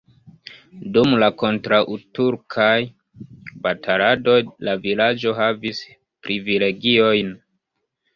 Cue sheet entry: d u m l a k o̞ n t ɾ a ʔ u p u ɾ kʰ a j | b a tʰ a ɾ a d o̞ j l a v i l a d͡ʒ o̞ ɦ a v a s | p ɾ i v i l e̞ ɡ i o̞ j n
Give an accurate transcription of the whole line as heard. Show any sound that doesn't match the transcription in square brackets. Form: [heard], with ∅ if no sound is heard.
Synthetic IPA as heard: d u m l a k o̞ n t ɾ a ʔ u [t] u ɾ kʰ a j | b a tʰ a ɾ a d o̞ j l a v i l a d͡ʒ o̞ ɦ a v [i] s | p ɾ i v i l e̞ ɡ i o̞ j n